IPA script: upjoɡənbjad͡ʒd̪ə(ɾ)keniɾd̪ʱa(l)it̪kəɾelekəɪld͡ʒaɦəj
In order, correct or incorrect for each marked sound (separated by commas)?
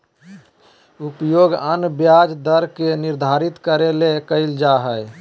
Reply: correct, incorrect